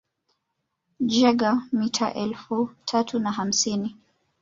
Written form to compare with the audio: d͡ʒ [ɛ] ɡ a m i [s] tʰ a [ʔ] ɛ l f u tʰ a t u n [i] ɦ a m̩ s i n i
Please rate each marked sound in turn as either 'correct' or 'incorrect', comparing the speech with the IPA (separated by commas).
correct, incorrect, correct, incorrect